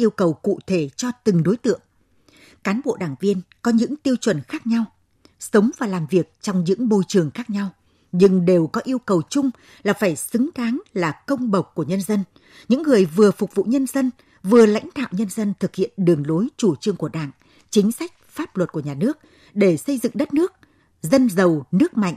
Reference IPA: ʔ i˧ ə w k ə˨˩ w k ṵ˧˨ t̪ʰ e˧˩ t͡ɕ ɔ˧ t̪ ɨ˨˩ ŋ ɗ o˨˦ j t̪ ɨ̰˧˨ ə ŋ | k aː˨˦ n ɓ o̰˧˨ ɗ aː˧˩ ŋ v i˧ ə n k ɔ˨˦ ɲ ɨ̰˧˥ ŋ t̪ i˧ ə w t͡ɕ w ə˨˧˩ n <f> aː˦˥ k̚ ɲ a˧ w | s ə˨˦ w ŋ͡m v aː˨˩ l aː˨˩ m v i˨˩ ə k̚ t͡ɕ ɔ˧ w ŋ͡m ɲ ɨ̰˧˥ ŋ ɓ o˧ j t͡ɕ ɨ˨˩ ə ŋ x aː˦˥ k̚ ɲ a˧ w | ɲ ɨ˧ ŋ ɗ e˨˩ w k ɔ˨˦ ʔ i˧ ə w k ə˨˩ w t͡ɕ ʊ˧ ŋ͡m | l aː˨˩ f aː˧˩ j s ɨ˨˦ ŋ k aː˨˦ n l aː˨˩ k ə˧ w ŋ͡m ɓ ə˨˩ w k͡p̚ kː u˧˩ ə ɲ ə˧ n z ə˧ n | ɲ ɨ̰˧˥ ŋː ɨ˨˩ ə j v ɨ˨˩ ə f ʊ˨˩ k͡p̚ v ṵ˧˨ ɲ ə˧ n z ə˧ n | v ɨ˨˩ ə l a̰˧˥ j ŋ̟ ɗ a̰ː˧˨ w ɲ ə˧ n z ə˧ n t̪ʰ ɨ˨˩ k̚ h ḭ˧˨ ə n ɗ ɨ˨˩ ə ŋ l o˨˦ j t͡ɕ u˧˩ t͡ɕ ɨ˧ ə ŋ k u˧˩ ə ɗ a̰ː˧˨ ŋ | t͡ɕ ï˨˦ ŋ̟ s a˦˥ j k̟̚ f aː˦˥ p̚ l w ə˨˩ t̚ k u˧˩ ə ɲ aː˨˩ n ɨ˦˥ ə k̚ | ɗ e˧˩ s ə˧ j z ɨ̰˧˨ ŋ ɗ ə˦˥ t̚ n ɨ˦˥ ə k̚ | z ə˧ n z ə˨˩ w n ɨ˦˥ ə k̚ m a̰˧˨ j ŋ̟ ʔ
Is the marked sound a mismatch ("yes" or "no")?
yes